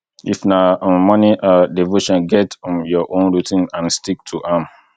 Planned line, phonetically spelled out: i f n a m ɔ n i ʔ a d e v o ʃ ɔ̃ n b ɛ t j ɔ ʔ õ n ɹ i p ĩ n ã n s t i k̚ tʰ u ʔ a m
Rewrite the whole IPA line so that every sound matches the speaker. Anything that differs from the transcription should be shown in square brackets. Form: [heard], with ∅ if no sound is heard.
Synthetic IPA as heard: i f n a m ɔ n i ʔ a d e v o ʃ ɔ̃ n [ɡ] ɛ t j ɔ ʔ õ n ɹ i [t] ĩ n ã n s t i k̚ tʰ u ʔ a m